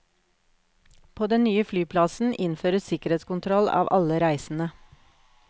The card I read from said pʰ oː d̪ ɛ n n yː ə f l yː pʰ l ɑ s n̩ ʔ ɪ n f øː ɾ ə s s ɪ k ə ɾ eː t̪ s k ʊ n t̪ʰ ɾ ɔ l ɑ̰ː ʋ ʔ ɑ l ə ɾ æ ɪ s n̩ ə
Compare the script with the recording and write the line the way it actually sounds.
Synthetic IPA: pʰ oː d̪ ɛ n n yː ə f l yː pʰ l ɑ s n̩ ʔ ɪ n f øː ɾ ə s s ɪ k ə ɾ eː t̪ s k ʊ n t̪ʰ ɾ ɔ l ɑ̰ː ʋ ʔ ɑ l ə ɾ æ ɪ s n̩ ə